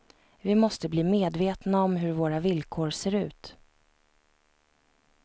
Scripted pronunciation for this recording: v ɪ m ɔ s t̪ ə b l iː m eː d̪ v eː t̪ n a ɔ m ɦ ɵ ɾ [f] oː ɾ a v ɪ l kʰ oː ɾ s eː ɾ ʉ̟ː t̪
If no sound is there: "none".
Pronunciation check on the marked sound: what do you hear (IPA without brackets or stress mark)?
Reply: v